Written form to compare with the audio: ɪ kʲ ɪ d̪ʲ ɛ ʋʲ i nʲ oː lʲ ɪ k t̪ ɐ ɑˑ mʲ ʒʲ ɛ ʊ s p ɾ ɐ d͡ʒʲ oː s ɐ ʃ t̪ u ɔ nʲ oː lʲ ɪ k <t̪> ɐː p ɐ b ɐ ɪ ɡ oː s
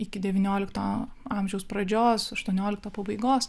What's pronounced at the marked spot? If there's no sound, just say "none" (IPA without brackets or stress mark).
t̪